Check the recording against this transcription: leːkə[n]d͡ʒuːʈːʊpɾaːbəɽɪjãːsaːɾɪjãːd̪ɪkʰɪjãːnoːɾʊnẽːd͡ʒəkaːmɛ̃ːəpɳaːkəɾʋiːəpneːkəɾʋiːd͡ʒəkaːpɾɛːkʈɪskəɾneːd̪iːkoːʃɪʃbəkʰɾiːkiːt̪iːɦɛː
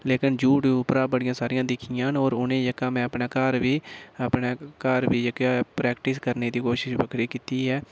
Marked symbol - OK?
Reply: yes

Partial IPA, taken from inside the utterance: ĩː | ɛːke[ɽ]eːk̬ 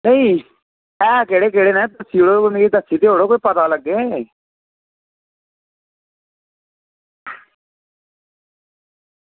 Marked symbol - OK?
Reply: yes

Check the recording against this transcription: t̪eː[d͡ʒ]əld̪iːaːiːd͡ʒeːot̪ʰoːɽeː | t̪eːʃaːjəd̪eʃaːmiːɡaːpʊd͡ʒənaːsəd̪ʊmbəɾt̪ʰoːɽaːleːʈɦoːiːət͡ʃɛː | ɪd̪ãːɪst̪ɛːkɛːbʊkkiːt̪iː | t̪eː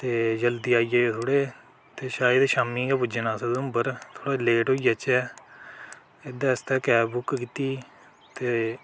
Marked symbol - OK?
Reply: yes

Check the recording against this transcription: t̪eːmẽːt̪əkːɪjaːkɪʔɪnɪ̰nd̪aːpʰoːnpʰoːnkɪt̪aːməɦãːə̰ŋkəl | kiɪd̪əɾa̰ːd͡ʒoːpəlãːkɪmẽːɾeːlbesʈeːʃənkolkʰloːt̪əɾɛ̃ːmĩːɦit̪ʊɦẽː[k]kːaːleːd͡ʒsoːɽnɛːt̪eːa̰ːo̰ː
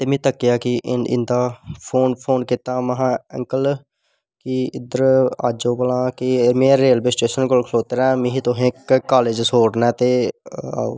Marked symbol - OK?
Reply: yes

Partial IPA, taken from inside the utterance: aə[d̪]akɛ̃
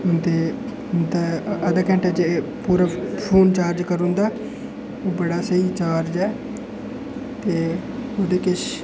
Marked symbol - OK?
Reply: yes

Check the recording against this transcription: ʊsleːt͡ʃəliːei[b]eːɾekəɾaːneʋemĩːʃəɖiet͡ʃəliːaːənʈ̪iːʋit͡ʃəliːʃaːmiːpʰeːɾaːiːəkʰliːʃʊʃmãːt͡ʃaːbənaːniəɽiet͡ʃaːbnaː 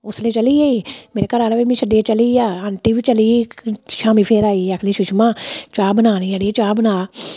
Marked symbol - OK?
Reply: no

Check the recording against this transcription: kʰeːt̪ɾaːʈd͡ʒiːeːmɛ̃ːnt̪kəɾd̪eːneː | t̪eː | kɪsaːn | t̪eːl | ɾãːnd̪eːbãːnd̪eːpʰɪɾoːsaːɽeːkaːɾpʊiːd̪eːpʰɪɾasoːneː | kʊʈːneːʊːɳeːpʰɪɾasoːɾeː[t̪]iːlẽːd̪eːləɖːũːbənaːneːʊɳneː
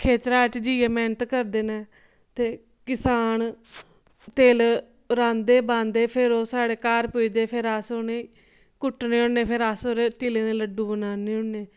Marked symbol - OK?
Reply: yes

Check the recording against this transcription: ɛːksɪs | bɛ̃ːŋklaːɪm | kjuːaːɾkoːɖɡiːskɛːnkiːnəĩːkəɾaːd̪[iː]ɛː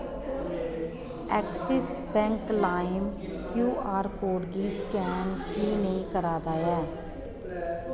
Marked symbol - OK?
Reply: no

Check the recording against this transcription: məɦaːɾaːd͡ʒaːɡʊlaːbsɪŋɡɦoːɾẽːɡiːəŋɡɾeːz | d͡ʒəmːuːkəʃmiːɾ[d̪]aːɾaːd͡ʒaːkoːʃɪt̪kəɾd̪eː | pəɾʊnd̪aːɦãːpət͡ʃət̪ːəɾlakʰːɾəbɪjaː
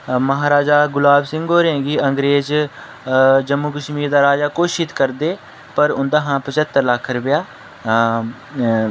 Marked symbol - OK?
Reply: yes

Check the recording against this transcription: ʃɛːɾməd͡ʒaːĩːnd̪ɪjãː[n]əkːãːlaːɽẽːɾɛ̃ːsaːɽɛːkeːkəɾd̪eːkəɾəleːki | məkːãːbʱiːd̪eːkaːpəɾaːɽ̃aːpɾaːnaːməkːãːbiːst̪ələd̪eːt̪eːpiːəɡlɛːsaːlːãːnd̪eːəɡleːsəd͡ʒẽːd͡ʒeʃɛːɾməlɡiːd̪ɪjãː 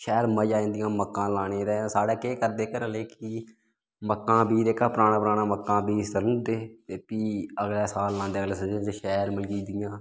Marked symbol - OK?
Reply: no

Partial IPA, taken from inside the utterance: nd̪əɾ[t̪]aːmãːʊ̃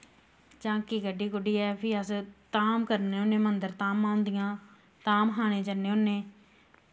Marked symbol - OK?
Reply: yes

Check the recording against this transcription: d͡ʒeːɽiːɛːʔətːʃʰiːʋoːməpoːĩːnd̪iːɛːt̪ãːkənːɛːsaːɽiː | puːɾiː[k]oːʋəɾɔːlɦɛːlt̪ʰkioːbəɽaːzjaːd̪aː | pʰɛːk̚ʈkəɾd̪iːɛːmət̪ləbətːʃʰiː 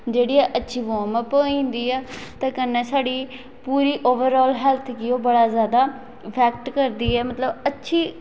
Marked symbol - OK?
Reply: no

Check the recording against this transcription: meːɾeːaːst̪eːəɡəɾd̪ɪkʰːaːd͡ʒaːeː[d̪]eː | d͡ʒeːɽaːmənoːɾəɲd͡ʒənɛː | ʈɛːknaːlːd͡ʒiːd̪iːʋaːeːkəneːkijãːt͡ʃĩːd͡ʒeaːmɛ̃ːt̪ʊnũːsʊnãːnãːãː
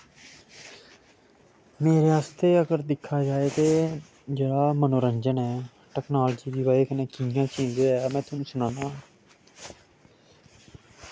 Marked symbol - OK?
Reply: no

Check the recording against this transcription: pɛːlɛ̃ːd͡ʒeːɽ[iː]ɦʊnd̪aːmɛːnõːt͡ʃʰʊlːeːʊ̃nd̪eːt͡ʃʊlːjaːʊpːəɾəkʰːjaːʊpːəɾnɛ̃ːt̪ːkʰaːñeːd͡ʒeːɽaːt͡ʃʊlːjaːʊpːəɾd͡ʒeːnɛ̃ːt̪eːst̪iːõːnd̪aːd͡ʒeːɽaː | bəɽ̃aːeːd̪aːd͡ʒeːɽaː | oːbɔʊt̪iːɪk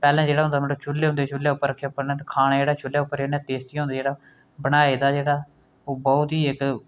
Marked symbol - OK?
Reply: no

